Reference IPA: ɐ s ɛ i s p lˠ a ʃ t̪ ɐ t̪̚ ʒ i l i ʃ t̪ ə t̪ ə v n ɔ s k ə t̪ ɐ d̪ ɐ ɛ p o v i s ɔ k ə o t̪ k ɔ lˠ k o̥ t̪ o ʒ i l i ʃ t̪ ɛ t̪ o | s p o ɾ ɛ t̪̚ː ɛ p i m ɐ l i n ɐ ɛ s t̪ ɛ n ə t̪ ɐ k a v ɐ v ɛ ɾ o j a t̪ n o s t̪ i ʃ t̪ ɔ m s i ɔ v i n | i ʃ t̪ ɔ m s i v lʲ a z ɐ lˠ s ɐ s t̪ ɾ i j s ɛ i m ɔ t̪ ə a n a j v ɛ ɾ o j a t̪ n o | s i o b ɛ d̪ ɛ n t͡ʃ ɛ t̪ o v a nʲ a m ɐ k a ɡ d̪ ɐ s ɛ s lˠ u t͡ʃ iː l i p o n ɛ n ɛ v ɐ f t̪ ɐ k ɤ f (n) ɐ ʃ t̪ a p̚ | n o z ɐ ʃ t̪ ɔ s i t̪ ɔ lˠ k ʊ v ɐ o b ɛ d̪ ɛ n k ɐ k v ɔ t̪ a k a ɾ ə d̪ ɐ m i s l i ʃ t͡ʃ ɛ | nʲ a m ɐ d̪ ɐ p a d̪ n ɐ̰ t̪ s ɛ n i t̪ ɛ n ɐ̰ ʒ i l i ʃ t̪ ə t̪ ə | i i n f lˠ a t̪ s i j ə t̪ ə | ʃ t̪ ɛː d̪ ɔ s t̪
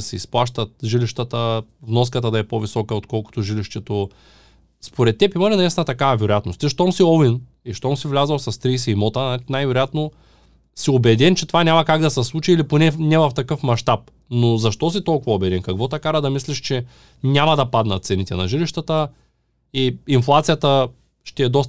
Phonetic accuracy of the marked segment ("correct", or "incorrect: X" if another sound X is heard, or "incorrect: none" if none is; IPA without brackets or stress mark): incorrect: m